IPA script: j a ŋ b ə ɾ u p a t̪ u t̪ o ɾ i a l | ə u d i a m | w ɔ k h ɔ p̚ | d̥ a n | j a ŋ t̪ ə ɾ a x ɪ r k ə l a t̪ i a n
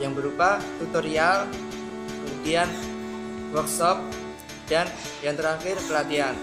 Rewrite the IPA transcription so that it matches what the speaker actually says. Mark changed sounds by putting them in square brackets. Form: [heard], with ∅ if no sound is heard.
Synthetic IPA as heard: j a ŋ b ə ɾ u p a t̪ u t̪ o ɾ i a l | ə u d i a [n] | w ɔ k [s] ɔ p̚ | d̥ a n | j a ŋ t̪ ə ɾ a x ɪ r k ə l a t̪ i a n